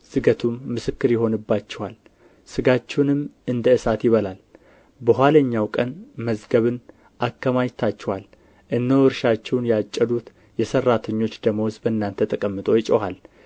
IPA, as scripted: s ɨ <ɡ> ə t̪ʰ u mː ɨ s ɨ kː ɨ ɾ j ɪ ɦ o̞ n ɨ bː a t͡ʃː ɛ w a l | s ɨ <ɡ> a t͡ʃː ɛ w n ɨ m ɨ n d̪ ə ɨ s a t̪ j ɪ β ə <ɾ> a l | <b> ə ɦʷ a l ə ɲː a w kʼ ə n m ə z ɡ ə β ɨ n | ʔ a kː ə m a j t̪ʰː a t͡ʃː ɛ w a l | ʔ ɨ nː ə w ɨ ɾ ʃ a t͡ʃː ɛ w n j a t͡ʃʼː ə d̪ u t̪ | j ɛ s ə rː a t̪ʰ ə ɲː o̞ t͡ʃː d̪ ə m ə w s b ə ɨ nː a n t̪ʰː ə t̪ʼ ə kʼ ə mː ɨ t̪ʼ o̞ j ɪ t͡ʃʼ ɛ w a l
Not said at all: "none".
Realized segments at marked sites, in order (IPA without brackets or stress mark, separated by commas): ɡ, ɡ, l, b